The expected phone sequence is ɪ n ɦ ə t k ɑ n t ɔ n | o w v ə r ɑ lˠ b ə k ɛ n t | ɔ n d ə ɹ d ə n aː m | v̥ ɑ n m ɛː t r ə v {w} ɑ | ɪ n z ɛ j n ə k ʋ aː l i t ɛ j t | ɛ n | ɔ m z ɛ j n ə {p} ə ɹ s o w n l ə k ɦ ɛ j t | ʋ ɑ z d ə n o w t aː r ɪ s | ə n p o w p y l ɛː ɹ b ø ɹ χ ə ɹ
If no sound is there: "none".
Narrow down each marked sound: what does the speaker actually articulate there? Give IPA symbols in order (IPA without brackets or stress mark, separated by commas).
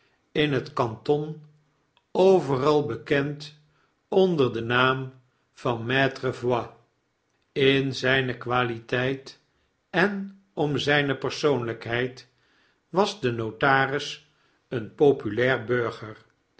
w, p